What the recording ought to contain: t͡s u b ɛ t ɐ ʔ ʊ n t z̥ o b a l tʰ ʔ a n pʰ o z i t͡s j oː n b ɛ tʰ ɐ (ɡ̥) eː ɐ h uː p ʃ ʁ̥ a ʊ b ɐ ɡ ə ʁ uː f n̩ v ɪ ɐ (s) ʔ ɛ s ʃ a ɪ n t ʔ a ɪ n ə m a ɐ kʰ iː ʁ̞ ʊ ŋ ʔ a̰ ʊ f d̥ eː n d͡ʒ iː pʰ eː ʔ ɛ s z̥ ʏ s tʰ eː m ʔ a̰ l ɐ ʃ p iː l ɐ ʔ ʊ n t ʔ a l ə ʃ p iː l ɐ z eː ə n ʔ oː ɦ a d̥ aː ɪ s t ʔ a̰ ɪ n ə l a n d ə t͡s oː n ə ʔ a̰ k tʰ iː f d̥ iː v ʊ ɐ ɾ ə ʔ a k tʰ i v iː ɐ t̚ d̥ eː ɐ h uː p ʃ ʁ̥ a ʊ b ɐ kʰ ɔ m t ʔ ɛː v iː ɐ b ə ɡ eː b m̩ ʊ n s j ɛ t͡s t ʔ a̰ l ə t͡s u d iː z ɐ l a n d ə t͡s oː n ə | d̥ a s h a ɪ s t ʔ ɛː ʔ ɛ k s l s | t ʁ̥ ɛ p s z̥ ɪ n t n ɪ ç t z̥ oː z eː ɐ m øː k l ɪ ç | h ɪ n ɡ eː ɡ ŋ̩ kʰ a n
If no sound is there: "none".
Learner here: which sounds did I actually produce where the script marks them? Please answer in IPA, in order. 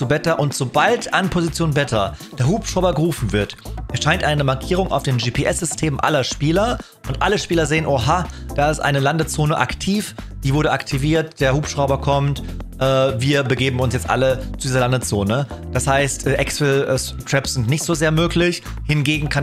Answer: d̥, t

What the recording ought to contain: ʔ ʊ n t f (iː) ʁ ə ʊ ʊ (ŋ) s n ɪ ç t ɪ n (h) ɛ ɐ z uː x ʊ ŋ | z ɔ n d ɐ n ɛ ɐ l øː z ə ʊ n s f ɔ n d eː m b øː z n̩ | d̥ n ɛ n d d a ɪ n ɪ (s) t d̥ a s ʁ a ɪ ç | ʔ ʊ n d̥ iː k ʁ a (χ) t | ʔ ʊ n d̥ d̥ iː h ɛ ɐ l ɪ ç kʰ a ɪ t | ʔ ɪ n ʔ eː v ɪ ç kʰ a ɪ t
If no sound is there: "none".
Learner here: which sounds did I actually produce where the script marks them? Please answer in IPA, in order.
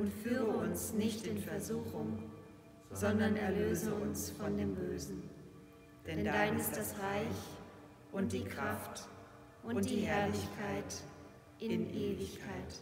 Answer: yː, n, f, s, f

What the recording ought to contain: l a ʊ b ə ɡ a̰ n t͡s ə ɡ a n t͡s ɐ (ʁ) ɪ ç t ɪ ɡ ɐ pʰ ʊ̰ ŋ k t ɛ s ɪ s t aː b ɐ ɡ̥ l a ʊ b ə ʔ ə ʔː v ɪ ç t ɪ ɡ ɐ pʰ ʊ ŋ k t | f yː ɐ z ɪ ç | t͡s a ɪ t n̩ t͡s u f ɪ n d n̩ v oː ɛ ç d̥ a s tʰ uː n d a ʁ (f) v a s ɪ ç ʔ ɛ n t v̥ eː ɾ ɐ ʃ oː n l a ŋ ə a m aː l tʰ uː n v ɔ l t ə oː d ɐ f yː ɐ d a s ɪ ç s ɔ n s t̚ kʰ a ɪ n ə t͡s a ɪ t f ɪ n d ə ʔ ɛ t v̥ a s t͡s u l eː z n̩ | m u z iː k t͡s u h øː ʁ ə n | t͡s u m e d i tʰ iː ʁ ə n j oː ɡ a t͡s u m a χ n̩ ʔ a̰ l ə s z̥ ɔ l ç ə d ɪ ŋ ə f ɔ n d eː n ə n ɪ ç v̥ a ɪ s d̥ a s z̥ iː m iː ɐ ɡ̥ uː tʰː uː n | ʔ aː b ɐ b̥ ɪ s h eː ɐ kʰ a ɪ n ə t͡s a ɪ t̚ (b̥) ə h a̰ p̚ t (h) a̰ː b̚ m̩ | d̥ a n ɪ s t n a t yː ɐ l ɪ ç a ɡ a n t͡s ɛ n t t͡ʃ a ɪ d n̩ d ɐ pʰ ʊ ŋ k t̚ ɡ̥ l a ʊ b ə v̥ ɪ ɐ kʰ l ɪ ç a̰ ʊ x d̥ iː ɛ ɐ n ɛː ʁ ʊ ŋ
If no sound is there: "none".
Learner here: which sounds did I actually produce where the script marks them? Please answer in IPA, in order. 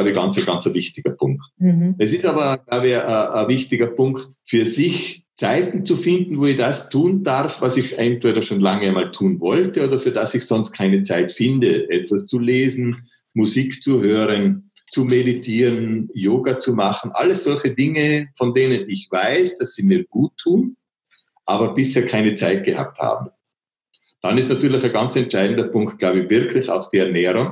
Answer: v, f, ɡ̥, h

